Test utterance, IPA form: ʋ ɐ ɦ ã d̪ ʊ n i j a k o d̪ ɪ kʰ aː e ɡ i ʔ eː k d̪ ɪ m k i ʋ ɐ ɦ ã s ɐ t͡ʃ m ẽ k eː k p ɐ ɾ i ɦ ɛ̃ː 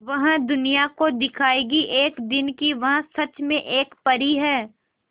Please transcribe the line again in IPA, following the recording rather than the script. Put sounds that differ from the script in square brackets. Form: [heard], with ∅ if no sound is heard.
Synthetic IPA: ʋ ɐ ɦ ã d̪ ʊ n i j a k o d̪ ɪ kʰ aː e ɡ i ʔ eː k d̪ ɪ [n] k i ʋ ɐ ɦ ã s ɐ t͡ʃ m ẽ [ʔ] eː k p ɐ ɾ i ɦ [ɛː]